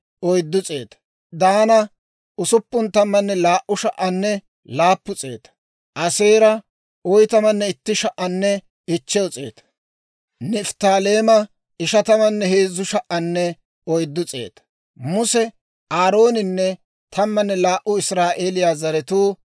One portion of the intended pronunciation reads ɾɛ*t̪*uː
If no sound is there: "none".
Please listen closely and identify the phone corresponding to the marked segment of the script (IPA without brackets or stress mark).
t̪